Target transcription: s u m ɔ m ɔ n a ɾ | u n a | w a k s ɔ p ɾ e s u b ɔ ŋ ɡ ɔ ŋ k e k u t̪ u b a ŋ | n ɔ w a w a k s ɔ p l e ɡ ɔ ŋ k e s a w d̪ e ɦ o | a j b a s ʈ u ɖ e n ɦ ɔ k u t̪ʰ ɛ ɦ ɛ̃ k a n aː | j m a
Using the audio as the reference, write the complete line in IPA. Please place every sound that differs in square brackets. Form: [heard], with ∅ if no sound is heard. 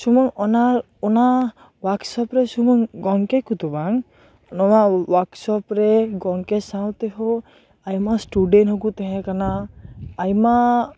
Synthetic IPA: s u m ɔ [ŋ] ɔ n a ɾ | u n a | w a k s ɔ p ɾ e s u [m] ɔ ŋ ɡ ɔ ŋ k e k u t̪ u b a ŋ | n ɔ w a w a k s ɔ p [ɾ] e ɡ ɔ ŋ k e s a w [t̪] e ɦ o | a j [m] a s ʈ u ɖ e n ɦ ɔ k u [t̪] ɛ ɦ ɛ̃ k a n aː | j m a

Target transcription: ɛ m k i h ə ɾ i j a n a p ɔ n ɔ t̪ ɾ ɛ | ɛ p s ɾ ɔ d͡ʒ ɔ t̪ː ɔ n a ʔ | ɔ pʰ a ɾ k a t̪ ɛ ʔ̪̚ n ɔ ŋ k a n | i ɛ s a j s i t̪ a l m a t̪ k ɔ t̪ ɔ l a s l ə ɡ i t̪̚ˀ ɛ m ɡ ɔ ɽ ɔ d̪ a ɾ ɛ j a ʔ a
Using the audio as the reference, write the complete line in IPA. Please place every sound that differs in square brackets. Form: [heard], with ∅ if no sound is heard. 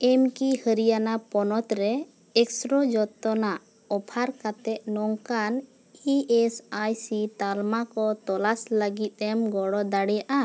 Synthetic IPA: ɛ m k i h ə ɾ i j a n a p ɔ n ɔ t̪ ɾ ɛ | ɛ [k] s ɾ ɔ d͡ʒ ɔ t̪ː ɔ n a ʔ | ɔ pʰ a ɾ k a t̪ ɛ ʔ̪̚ n ɔ ŋ k a n | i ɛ s a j s i t̪ a l m a [∅] k ɔ t̪ ɔ l a s l ə ɡ i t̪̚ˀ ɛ m ɡ ɔ ɽ ɔ d̪ a [ɽ] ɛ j a ʔ a

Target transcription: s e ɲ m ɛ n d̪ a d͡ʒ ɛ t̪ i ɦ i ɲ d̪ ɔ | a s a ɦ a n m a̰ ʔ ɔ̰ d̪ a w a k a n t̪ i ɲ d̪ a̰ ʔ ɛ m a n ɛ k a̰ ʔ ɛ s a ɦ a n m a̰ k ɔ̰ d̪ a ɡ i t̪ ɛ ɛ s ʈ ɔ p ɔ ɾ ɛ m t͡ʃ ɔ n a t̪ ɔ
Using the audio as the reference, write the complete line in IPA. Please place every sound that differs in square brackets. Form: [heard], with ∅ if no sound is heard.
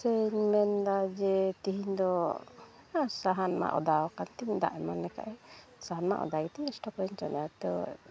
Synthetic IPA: s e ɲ m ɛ n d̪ a d͡ʒ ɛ t̪ i ɦ i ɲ d̪ ɔ | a s a ɦ a n m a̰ ʔ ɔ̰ d̪ a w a k a n t̪ i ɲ d̪ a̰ ʔ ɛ m a n ɛ k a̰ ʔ ɛ s a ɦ a n m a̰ [ʔ] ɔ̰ d̪ a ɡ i t̪ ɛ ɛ s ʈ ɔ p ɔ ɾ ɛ [ɲ] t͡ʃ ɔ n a t̪ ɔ

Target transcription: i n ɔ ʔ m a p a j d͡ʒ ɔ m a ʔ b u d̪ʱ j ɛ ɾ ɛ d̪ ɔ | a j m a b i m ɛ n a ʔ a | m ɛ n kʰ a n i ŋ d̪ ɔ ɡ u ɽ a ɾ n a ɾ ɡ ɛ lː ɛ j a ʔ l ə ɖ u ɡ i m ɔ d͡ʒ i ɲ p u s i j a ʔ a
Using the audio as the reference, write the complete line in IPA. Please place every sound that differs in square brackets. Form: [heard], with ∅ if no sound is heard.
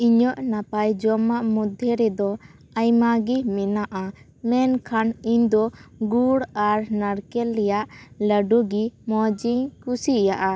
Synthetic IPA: i [ɲ] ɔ ʔ [n] a p a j d͡ʒ ɔ m a ʔ [m] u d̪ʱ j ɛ ɾ ɛ d̪ ɔ | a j m a [ɡ] i m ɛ n a ʔ a | m ɛ n kʰ a n i [ɲ] d̪ ɔ ɡ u ɽ a ɾ n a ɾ [k] ɛ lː ɛ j a ʔ l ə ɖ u ɡ i m ɔ d͡ʒ i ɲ [k] u s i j a ʔ a

